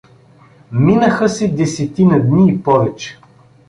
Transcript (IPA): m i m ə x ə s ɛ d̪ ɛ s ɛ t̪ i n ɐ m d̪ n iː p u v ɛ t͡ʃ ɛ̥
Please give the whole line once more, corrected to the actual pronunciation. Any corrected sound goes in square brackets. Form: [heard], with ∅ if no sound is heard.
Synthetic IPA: m i [n] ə x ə s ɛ d̪ ɛ s ɛ t̪ i n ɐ [∅] d̪ n iː p [ɔ] v ɛ t͡ʃ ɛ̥